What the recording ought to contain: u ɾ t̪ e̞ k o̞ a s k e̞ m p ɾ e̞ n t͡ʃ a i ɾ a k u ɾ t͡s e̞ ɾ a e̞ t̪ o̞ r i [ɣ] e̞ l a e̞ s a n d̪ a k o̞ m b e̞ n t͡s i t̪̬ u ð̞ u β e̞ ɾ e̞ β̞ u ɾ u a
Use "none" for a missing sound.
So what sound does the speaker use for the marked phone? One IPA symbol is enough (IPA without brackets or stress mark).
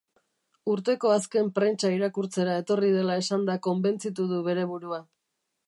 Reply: ð